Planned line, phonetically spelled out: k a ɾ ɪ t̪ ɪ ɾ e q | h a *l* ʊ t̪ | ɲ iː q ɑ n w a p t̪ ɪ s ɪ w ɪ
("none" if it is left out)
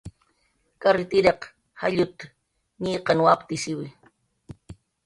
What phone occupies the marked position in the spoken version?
ʎ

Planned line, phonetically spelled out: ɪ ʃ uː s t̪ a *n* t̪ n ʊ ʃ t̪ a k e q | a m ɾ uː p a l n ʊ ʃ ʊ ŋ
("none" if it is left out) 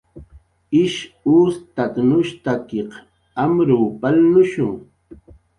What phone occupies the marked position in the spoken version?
none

